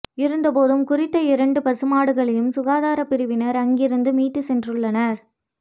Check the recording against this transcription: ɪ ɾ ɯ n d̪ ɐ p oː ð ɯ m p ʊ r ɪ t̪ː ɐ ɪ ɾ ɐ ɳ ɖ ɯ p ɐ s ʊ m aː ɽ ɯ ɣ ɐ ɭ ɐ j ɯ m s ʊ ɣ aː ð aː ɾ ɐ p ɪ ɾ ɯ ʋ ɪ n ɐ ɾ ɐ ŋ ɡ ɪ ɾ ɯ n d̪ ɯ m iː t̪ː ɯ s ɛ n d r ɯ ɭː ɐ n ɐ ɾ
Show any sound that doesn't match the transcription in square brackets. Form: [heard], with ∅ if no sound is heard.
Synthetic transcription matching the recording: ɪ ɾ ɯ n d̪ ɐ p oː ð ɯ m [k] ʊ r ɪ t̪ː ɐ ɪ ɾ ɐ ɳ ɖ ɯ p ɐ s [ɯ] m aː ɽ ɯ ɣ ɐ ɭ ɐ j ɯ m s ʊ ɣ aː ð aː ɾ ɐ p ɪ ɾ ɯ ʋ ɪ n ɐ ɾ ɐ ŋ ɡ ɪ ɾ ɯ n d̪ ɯ m iː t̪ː ɯ s ɛ n d r ɯ ɭː ɐ n ɐ ɾ